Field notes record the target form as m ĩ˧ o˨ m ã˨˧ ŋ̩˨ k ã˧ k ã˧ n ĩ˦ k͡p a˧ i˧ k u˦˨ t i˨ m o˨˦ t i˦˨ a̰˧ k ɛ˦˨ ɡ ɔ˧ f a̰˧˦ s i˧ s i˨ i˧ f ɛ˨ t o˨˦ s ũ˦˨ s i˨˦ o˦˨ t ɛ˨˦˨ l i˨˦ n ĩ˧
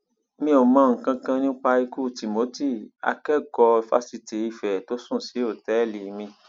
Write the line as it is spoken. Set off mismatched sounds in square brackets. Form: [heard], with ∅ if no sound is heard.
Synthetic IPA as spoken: m ĩ˧ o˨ m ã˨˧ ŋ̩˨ k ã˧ k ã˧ n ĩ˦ k͡p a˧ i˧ k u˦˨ t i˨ m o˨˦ t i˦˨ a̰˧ k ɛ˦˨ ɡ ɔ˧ f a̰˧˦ s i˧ [t] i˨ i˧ f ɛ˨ t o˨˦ s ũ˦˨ s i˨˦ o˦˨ t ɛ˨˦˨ l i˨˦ [m] ĩ˧

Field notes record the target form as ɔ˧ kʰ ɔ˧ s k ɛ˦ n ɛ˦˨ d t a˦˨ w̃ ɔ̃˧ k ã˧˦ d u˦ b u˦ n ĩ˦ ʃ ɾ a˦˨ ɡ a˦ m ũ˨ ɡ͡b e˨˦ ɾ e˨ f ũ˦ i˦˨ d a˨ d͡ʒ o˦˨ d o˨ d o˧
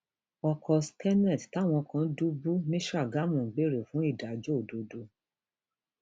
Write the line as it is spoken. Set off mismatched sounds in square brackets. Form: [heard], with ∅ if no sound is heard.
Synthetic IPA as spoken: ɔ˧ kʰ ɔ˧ s k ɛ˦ n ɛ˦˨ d t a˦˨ w̃ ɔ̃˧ k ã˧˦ d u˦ b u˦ n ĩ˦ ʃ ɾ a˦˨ ɡ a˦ m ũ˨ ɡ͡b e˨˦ ɾ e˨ f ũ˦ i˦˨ d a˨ d͡ʒ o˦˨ d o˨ d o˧

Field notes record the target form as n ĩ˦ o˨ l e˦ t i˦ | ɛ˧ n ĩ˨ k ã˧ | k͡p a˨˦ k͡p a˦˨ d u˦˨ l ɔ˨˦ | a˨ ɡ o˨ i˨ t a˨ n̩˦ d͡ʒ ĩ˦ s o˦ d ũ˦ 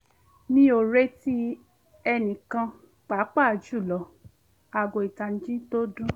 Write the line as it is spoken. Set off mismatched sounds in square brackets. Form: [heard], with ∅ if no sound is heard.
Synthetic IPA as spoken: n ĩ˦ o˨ [ɾ] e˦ t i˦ | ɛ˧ n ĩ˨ k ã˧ | k͡p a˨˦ k͡p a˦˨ [d͡ʒ] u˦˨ l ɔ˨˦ | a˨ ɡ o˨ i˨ t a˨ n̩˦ d͡ʒ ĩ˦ [t] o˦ d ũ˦

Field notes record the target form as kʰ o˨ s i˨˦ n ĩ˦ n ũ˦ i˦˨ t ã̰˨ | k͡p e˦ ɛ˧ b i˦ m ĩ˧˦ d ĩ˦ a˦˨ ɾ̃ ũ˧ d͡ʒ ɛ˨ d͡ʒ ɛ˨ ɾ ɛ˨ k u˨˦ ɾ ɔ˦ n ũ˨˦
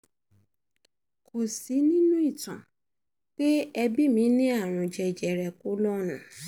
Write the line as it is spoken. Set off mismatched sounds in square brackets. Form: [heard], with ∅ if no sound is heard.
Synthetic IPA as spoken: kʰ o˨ s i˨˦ n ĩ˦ n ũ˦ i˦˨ t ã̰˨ | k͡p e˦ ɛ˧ b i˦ m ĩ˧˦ [n] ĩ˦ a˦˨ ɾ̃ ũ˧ d͡ʒ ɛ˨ d͡ʒ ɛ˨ ɾ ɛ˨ k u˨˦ [l] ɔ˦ n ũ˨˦

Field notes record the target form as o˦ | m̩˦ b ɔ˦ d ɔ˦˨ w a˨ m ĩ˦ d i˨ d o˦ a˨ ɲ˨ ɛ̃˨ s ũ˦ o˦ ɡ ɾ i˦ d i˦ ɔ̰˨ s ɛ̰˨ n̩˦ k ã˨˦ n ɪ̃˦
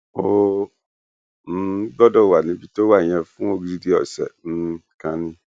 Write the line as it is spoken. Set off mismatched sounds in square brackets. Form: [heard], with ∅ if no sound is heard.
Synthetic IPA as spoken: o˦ | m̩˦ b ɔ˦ d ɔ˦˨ w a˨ [n] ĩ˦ [b] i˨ [t] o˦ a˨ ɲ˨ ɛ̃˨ [f] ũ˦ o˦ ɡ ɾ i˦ d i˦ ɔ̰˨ s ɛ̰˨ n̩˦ k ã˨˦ n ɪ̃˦

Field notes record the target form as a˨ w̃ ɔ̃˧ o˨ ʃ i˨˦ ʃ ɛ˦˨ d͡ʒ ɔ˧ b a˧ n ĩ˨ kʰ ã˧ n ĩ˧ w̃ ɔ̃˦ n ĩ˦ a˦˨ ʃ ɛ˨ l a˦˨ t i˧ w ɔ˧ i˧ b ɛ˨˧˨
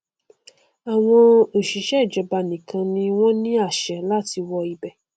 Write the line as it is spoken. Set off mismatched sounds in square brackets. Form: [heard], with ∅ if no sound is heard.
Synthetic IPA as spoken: a˨ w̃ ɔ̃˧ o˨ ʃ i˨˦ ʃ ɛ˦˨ d͡ʒ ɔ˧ b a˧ n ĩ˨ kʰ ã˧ n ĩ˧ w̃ ɔ̃˦ n ĩ˦ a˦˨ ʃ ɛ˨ l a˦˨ t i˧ w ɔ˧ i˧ b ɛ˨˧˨

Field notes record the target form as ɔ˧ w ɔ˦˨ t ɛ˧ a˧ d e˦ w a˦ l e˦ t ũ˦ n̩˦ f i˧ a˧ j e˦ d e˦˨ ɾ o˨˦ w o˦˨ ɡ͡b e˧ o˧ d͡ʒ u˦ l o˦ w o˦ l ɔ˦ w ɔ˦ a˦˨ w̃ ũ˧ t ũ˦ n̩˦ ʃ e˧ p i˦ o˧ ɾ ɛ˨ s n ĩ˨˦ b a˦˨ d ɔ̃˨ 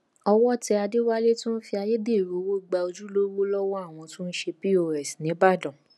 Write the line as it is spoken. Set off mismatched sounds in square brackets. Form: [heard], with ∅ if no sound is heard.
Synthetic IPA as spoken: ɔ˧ w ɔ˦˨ t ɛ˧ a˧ d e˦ w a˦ l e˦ t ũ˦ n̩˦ f i˧ a˧ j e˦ d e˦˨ ɾ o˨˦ w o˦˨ ɡ͡b [a˧] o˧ d͡ʒ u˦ l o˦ w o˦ l ɔ˦ w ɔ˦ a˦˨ w̃ [ɔ̃˧] t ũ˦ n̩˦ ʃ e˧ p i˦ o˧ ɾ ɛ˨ s n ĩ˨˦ b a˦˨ d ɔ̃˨

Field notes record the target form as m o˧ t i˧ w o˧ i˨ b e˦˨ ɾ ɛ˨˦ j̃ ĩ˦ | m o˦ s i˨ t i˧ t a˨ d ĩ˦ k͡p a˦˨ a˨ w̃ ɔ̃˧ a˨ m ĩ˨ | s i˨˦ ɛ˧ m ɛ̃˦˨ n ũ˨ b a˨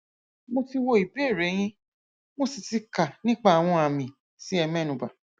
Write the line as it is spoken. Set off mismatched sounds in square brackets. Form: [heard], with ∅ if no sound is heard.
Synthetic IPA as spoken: m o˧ t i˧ w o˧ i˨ b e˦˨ ɾ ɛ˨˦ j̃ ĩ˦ | m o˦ s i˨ t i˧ [k] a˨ [n] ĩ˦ k͡p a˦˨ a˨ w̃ ɔ̃˧ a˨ m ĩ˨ | s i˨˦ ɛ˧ m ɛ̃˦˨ n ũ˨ b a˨

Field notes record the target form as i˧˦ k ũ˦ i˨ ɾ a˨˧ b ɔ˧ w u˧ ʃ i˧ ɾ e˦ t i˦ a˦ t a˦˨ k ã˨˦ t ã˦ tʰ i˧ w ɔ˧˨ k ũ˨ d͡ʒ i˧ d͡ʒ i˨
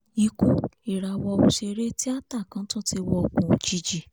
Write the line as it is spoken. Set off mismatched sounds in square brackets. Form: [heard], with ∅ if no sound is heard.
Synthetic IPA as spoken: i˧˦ k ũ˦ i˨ ɾ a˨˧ [w] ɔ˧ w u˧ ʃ [e˧] ɾ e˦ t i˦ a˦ t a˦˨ k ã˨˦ t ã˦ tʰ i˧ w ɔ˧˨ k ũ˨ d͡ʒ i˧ d͡ʒ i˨

